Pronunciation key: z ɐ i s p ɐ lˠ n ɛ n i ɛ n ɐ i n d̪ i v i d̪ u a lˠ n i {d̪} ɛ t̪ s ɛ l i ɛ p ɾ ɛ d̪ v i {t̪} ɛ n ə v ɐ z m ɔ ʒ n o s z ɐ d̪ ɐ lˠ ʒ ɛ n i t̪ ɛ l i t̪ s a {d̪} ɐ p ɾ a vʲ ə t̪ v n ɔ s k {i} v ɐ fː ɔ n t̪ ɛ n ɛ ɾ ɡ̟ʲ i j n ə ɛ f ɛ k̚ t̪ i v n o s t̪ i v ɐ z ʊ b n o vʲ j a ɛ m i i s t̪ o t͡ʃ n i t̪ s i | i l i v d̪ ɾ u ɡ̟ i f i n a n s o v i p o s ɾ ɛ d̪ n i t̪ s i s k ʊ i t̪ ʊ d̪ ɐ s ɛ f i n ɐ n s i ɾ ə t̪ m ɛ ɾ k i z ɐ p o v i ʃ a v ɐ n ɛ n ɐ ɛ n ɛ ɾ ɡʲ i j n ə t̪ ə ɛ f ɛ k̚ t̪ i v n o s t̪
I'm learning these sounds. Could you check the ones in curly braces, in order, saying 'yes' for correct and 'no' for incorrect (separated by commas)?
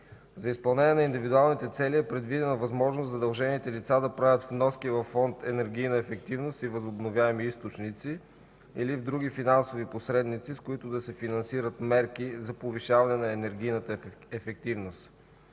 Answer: no, no, yes, yes